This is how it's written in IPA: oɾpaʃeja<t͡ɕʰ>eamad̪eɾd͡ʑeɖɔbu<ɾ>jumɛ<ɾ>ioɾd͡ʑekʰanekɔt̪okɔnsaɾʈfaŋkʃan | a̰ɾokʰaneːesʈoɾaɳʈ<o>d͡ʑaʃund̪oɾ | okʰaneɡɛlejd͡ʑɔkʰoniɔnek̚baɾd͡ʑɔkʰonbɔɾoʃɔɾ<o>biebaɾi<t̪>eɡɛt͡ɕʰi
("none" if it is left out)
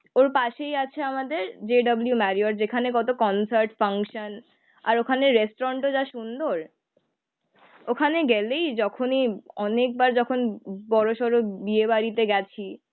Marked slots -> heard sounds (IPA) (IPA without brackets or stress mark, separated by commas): t͡ɕʰ, l, ɾ, o, o, t̪